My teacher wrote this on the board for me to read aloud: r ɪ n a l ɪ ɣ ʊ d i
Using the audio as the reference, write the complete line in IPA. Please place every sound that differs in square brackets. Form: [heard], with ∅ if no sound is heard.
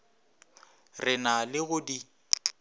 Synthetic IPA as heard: r ɪ n a l ɪ ɣ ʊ d i